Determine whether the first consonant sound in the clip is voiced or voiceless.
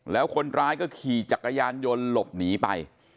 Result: voiced